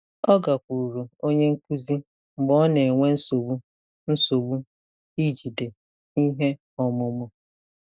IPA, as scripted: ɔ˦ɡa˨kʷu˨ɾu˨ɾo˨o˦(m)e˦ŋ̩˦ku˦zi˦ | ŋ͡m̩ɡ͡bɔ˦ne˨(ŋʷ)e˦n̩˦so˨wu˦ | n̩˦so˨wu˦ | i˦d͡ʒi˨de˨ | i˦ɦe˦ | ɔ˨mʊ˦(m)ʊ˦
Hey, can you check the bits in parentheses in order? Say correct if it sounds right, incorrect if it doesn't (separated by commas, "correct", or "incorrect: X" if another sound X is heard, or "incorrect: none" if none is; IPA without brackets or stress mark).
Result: incorrect: ɲ, correct, correct